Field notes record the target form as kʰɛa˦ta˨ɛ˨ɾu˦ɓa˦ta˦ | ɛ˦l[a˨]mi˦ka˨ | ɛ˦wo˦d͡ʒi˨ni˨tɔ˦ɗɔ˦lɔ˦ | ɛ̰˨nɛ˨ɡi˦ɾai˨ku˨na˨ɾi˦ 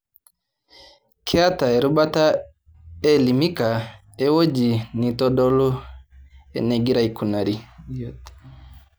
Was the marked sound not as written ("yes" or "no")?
yes